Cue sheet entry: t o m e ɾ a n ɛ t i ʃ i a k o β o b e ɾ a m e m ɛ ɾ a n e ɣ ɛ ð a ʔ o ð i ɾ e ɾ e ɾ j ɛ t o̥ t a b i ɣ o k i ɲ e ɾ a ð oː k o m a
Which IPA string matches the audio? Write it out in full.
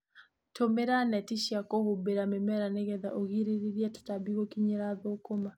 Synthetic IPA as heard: t o m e ɾ a n ɛ t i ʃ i a k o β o b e ɾ a m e m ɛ ɾ a n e ɣ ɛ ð a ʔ o ɣ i ɾ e ɾ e ɾ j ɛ t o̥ t a b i ɣ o k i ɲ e ɾ a ð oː k o m a